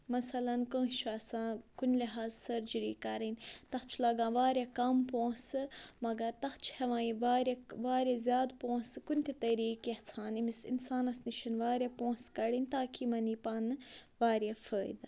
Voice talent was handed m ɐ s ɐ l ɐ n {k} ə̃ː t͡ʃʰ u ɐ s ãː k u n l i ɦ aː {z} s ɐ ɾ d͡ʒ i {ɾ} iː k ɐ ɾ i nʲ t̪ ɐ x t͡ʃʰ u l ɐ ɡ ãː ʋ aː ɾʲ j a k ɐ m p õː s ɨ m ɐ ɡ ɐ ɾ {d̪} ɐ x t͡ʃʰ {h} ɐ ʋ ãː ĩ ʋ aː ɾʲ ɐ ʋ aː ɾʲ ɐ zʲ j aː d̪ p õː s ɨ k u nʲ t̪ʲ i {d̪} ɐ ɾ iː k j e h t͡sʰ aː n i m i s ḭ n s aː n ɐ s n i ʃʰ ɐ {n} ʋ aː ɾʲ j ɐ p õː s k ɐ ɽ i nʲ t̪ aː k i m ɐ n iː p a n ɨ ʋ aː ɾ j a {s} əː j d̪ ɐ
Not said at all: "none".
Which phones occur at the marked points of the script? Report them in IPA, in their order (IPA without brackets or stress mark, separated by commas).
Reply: k, z, ɾ, t̪, h, t̪, n, f